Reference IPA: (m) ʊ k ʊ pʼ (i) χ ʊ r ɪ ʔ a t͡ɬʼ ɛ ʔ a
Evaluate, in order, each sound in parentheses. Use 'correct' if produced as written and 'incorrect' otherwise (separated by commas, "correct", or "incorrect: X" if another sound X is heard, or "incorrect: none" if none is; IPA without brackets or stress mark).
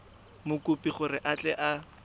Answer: correct, correct